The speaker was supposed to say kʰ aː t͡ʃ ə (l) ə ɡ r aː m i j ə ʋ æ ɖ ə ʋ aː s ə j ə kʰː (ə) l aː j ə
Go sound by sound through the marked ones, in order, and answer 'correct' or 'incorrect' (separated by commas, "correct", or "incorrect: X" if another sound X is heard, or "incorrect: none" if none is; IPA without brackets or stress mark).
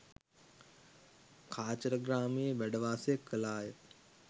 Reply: incorrect: ɾ, correct